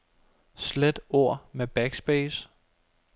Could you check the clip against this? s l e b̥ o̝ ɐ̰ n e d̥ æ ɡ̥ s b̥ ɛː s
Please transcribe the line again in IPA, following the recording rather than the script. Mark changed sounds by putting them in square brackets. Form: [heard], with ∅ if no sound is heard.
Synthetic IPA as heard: s l e [d̥] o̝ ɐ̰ [m] e [b̥] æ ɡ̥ s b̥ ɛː s